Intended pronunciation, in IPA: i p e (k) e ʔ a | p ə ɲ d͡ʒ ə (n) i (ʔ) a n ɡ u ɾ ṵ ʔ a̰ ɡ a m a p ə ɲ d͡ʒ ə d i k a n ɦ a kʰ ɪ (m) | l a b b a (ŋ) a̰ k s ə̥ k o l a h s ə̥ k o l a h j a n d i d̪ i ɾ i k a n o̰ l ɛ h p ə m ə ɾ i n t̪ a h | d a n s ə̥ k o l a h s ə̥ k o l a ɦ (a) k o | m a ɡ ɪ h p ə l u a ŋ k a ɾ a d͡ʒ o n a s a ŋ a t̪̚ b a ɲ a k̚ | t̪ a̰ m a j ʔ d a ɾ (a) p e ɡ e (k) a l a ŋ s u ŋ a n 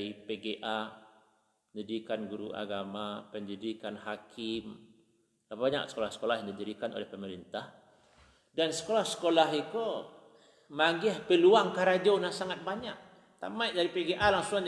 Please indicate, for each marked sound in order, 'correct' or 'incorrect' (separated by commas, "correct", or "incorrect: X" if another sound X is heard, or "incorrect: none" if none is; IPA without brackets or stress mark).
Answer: incorrect: ɡ, incorrect: d, incorrect: k, correct, incorrect: ɲ, incorrect: i, incorrect: i, incorrect: ʔ